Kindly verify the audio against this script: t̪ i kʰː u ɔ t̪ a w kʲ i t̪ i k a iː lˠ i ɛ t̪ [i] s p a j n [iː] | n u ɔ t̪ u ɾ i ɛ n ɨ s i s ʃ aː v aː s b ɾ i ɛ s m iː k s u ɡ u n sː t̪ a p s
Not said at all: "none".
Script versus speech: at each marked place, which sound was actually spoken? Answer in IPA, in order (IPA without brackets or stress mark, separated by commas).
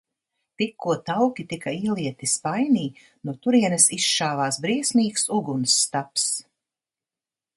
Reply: i, iː